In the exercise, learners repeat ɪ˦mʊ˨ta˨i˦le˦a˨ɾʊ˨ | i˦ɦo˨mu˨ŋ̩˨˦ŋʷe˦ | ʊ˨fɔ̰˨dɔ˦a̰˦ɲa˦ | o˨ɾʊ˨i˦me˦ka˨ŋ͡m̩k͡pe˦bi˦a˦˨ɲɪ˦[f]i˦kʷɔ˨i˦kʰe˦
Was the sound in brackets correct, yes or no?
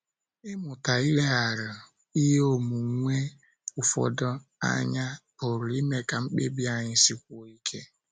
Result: no